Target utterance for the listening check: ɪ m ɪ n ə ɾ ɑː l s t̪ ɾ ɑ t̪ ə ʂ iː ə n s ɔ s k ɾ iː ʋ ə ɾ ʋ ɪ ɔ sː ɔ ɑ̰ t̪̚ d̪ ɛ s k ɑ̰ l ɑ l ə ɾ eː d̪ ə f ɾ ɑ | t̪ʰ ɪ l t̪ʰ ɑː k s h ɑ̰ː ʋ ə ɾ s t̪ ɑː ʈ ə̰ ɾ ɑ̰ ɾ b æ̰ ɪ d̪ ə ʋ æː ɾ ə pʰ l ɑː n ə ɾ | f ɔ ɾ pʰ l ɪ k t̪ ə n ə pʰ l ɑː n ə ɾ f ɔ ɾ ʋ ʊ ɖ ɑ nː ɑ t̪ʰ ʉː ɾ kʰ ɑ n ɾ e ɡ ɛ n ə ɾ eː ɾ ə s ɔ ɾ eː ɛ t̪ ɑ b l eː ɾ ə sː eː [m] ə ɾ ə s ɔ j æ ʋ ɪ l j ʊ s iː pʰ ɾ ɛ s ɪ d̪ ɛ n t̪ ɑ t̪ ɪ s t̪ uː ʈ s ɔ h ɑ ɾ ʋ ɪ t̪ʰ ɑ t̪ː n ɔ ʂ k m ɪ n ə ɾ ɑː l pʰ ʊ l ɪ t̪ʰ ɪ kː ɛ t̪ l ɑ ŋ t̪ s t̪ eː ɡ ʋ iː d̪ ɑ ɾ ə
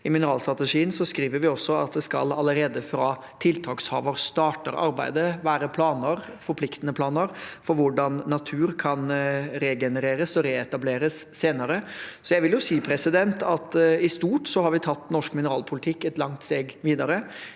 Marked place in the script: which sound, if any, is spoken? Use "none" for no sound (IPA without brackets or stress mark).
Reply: n